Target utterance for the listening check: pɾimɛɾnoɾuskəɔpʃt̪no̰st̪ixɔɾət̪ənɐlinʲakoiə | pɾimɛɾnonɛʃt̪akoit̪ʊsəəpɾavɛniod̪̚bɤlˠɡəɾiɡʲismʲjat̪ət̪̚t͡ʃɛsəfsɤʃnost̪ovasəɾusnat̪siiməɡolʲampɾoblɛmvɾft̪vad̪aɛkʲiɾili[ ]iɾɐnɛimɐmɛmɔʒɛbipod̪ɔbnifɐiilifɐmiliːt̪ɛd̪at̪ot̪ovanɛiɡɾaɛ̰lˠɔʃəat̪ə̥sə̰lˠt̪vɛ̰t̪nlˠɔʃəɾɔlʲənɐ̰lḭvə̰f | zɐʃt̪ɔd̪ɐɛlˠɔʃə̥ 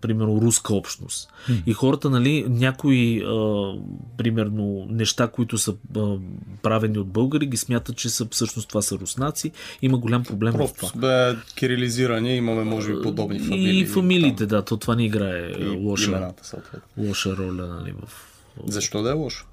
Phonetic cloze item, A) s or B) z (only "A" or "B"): B